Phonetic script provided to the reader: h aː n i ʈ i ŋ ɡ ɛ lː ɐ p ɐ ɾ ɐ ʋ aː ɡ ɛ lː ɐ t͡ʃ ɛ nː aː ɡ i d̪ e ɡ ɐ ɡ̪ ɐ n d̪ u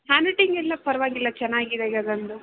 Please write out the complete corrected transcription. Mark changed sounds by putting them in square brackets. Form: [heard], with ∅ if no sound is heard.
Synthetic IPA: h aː n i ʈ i ŋ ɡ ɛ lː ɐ p ɐ ɾ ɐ ʋ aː ɡ [i] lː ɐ t͡ʃ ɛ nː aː ɡ i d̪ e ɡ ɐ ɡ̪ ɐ n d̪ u

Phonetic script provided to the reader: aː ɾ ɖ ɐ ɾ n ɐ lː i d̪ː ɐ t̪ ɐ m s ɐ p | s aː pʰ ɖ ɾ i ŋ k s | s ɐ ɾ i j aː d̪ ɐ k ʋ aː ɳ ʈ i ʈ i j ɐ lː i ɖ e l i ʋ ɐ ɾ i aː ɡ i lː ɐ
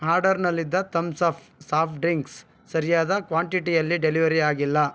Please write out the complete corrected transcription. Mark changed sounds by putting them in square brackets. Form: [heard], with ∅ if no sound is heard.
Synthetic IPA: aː ɾ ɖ ɐ ɾ n ɐ lː i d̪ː ɐ t̪ ɐ m s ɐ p | s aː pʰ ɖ ɾ i ŋ k s | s ɐ ɾ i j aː d̪ ɐ k ʋ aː ɳ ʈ i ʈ i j ɐ lː i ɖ e l i ʋ ɐ ɾ i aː ɡ i lː ɐ

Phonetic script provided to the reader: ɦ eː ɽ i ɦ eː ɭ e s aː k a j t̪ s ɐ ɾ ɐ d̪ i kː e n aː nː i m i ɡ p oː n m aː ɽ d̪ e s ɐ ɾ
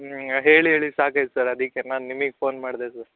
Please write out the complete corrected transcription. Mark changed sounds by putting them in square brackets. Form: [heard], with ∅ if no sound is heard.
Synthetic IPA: ɦ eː [ɭ] i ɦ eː ɭ [i] s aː k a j t̪ s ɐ ɾ ɐ d̪ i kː e n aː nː i m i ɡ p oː n m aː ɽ d̪ e s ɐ ɾ

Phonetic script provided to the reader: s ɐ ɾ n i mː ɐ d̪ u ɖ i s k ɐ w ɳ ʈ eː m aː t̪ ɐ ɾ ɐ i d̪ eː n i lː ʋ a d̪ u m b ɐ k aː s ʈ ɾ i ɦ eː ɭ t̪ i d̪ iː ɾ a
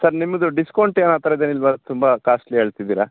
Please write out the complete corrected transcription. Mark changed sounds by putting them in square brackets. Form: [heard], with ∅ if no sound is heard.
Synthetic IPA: s ɐ ɾ n i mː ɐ d̪ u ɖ i s k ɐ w ɳ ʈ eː [n] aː t̪ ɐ ɾ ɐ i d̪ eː n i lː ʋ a [t̪] u m b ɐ k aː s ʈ [l] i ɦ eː ɭ t̪ i d̪ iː ɾ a

